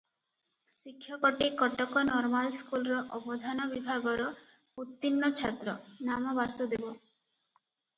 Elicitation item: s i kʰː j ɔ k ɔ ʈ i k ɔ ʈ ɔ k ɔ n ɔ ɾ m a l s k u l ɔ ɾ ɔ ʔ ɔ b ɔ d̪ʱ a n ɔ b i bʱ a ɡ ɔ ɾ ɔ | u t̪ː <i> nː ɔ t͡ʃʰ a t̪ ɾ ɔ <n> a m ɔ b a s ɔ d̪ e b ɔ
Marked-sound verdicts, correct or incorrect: correct, correct

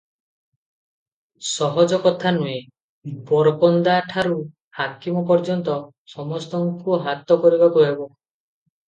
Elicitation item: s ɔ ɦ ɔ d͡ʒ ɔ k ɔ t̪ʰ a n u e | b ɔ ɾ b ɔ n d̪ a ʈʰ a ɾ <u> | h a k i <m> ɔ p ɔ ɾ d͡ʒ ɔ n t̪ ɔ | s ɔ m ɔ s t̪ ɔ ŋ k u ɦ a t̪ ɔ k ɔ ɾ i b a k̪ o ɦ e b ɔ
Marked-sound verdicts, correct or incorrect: correct, correct

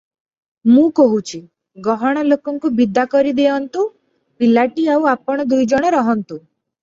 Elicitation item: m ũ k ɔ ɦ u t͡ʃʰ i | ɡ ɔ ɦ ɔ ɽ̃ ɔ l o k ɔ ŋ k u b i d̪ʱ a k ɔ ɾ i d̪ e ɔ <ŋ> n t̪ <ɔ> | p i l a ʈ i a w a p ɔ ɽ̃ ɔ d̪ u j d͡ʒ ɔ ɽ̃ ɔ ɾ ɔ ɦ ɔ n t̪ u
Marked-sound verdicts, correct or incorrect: incorrect: none, incorrect: u

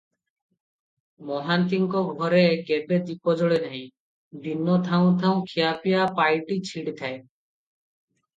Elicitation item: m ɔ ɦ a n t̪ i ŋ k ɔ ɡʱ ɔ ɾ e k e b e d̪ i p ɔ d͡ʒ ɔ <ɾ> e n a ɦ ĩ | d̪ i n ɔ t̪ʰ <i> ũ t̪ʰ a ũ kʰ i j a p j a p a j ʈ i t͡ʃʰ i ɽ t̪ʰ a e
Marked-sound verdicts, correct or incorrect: incorrect: ɭ, incorrect: a

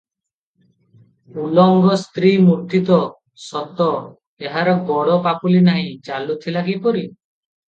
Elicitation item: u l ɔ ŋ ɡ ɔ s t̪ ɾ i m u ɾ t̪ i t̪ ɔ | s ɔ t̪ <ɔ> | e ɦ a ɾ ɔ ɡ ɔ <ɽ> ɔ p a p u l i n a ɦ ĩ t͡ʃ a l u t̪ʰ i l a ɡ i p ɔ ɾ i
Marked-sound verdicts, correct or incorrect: correct, correct

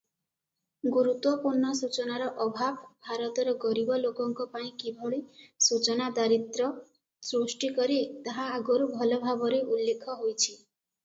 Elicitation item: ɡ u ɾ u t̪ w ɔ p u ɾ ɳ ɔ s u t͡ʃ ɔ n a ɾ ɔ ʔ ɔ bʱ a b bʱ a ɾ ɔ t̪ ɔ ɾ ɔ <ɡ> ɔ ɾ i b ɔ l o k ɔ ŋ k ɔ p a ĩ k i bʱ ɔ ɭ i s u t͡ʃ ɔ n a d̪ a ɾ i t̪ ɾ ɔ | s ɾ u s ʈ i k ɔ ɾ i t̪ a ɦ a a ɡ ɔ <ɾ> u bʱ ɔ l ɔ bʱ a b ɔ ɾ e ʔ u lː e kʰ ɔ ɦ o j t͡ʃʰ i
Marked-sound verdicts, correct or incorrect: correct, correct

